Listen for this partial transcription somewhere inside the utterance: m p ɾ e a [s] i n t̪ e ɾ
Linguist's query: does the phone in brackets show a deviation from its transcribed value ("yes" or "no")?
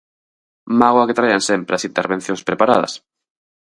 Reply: no